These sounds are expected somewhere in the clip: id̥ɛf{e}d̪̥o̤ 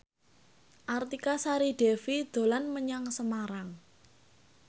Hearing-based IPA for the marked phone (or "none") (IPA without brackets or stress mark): i